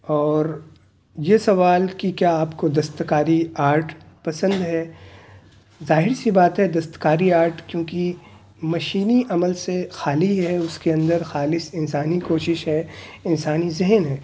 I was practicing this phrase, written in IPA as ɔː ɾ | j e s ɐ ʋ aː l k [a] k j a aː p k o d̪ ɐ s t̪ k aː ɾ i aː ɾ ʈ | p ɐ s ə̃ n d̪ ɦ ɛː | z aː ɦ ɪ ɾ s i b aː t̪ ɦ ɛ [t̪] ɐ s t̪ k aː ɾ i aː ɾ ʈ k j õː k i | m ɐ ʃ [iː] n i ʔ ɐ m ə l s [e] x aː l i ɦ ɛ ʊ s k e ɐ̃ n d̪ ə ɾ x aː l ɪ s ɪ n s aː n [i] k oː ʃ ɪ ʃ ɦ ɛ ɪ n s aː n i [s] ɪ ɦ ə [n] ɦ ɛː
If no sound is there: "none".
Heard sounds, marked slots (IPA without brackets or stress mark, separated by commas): i, d̪, iː, e, i, z, n